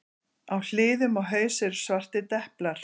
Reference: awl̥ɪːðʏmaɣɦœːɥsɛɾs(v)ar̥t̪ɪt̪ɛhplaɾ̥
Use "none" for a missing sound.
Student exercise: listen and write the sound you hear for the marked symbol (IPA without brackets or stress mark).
v